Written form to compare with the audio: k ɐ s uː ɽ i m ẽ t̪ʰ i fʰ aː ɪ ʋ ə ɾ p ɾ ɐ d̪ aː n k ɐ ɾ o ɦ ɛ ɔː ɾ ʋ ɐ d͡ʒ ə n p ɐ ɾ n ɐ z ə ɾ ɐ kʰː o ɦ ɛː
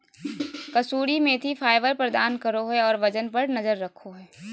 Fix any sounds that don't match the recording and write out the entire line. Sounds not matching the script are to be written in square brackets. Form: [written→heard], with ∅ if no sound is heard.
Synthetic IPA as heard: k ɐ s uː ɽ i m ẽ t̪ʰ i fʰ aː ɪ ʋ ə ɾ p ɾ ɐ d̪ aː n k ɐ ɾ o ɦ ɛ ɔː ɾ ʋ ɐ d͡ʒ ə n p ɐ ɾ n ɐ z ə [ɾ→ɾː] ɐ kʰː o ɦ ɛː